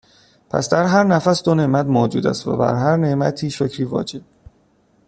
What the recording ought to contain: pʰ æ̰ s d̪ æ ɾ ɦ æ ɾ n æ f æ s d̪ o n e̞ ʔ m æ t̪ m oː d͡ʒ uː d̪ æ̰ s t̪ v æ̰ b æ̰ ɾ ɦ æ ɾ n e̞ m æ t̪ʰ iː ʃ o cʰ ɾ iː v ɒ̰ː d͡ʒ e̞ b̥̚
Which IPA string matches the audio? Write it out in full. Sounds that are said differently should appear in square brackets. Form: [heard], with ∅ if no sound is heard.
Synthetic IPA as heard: pʰ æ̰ s d̪ æ ɾ ɦ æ ɾ n æ f æ s d̪ o n e̞ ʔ m æ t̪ m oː d͡ʒ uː d̪ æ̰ s t̪ v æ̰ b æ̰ ɾ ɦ æ ɾ n e̞ m æ t̪ʰ iː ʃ o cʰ ɾ iː v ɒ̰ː d͡ʒ e̞ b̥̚